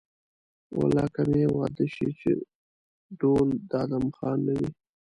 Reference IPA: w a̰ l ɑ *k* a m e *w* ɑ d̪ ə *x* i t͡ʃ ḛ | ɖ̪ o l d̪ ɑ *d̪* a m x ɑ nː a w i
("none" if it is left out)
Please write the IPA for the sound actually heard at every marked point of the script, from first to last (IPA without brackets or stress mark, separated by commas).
k, w, ʃ, d̪